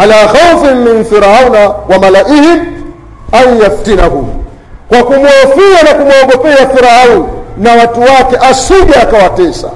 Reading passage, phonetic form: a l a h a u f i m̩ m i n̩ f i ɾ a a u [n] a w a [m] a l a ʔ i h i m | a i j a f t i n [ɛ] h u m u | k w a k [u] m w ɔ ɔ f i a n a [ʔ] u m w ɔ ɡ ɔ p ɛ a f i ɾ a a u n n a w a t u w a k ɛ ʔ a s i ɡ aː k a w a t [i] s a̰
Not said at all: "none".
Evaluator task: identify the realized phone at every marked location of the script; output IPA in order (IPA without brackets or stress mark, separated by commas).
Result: n, m, a, u, k, ɛ